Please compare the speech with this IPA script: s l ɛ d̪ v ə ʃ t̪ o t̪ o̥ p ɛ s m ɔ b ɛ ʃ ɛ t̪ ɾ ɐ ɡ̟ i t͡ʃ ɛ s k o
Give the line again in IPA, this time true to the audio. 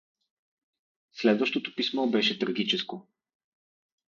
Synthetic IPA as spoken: s l ɛ d̪ v ə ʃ t̪ o t̪ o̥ p i s m ɔ b ɛ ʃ ɛ t̪ ɾ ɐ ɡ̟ i t͡ʃ ɛ s k o